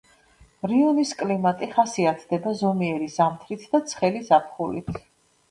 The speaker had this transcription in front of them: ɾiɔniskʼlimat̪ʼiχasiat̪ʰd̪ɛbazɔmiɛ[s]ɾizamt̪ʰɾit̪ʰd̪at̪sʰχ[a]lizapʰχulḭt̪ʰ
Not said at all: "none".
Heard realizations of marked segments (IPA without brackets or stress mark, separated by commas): none, ɛ